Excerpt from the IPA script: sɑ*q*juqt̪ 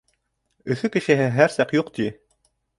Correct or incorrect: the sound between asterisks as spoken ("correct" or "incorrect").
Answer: correct